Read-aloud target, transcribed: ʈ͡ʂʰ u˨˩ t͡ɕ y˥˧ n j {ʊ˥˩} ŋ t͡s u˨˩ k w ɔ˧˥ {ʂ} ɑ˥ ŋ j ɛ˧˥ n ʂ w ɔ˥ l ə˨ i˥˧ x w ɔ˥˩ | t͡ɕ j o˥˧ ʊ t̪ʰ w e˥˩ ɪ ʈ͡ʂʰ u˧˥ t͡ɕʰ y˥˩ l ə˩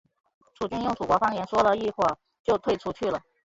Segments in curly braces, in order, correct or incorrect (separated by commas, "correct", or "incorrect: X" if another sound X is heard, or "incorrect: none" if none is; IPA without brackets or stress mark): correct, incorrect: f